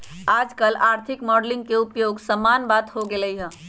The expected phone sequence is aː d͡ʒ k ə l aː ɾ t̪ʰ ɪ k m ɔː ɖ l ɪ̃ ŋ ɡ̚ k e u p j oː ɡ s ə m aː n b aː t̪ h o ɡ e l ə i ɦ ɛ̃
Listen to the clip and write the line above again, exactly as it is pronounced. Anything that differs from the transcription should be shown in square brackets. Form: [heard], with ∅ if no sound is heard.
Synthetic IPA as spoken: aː d͡ʒ k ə l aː ɾ t̪ʰ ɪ k m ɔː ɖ l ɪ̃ ŋ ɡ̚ k e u p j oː ɡ s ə m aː n b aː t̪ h o ɡ e l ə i ɦ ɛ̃